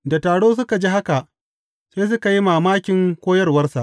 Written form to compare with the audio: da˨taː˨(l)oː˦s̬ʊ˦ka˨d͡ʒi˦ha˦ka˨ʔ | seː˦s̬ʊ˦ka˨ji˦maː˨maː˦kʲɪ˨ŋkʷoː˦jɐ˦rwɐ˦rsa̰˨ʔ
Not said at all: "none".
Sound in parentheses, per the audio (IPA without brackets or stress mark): ɽ